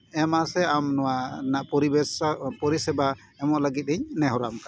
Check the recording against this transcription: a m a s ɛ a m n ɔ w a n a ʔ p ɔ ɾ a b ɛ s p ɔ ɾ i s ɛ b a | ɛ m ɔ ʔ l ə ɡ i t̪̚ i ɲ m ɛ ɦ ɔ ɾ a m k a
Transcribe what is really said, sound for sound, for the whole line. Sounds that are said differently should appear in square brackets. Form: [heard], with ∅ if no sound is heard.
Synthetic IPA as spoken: [ɛ] m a s ɛ a m n ɔ w a n a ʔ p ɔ ɾ [i] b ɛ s p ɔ ɾ i s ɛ b a | ɛ m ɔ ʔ l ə ɡ i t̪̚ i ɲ [n] ɛ ɦ ɔ ɾ a m k a

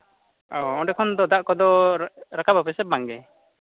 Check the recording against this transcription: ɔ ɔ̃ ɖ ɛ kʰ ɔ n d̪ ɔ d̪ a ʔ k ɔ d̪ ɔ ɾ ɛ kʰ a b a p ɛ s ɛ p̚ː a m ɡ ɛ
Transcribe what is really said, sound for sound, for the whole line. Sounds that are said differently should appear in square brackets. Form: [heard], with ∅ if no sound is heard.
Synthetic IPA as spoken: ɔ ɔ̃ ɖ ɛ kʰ ɔ n d̪ ɔ d̪ a ʔ k ɔ d̪ ɔ ɾ [a] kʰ a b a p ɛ s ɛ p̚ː a [ŋ] ɡ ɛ

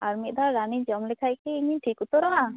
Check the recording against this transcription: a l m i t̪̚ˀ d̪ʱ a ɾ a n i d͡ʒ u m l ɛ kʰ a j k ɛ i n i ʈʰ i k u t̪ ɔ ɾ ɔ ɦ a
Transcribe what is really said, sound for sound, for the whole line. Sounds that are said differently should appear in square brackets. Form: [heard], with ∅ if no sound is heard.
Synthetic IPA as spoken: a [ɾ] m i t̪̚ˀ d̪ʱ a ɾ a n i d͡ʒ [ɔ] m l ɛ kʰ a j k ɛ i [ɲ] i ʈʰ i k u t̪ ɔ ɾ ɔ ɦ a

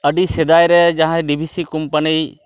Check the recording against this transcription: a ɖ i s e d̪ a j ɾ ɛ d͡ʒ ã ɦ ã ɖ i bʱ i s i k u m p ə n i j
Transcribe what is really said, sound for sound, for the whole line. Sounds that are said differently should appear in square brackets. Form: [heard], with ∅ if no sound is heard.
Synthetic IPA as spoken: [ə] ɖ i s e d̪ a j ɾ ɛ d͡ʒ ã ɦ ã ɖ i bʱ i s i k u m p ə n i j

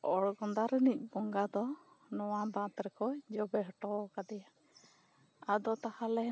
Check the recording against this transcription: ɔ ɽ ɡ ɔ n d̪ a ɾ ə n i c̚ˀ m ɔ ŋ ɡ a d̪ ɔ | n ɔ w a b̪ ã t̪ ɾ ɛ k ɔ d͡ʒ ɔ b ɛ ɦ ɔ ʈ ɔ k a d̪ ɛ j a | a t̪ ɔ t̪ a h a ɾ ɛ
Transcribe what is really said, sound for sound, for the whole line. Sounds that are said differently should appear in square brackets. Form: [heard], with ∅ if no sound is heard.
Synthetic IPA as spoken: ɔ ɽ ɡ ɔ n d̪ a ɾ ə n i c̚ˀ [b] ɔ ŋ ɡ a d̪ ɔ | n ɔ w a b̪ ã t̪ ɾ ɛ k ɔ d͡ʒ ɔ b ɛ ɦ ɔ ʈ ɔ k a d̪ ɛ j a | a [d̪] ɔ t̪ a h a [l] ɛ

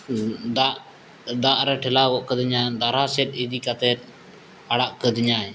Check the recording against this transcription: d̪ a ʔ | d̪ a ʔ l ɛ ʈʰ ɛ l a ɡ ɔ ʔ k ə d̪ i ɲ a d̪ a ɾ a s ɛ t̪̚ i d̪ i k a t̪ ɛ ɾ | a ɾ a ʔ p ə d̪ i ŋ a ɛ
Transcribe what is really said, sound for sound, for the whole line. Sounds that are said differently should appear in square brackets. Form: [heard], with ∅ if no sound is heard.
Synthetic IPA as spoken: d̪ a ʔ | d̪ a ʔ [ɾ] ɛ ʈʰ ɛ l a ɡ ɔ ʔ k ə d̪ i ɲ a d̪ a ɾ a s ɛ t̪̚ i d̪ i k a t̪ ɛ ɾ | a [ɽ] a ʔ [k] ə d̪ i [ɲ] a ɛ

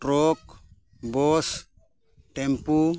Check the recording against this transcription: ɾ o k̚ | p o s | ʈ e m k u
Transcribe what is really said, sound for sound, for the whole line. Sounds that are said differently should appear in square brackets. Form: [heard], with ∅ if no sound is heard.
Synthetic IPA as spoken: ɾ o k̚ | [b] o s | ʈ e m [p] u

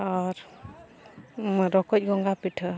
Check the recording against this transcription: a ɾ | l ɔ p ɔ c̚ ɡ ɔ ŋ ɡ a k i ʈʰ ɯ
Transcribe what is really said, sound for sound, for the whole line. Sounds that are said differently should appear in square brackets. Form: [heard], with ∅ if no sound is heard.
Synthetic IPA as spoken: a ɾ | [ɾ] ɔ [k] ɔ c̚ ɡ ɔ ŋ ɡ a [p] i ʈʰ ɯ

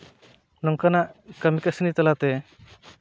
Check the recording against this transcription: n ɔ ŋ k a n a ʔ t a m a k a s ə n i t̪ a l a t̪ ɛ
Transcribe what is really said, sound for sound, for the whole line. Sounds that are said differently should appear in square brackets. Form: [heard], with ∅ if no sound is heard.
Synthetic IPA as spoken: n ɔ ŋ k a n a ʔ [k] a m [i] k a s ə n i t̪ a l a t̪ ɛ

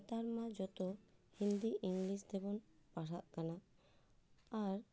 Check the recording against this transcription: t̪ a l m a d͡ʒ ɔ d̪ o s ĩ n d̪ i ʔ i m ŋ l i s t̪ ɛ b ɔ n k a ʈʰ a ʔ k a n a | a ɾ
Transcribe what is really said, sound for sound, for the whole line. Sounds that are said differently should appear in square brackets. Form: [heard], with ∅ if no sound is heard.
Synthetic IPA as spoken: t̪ a [ɾ] m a d͡ʒ ɔ [t̪] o [h] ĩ n d̪ i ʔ i [∅] ŋ l i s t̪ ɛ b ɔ n [p] a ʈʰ a ʔ k a n a | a ɾ

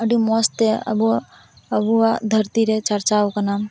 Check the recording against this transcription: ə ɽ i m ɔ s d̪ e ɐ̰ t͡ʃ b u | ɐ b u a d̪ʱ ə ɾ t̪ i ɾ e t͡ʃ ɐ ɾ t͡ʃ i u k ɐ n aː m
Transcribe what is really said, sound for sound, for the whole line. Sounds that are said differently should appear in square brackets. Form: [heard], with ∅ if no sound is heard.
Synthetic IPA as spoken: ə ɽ i m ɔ s [t̪] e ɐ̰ [∅] b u | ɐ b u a d̪ʱ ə ɾ t̪ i ɾ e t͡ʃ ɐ ɾ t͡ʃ [a] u k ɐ n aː m

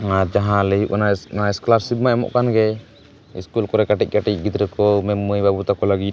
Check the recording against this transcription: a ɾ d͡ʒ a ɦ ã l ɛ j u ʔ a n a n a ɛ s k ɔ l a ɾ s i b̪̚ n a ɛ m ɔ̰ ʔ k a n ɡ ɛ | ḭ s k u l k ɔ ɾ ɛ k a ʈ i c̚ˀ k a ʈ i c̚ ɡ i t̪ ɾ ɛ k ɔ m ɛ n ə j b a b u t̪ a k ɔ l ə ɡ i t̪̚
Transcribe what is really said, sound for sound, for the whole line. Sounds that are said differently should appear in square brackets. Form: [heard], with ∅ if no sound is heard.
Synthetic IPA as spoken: a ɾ d͡ʒ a ɦ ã l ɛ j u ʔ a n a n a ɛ s k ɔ l a ɾ s i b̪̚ [m] a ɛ m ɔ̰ ʔ k a n ɡ ɛ | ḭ s k u l k ɔ ɾ ɛ k a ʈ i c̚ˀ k a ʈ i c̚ ɡ i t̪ ɾ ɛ k ɔ m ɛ [m] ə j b a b u t̪ a k ɔ l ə ɡ i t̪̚

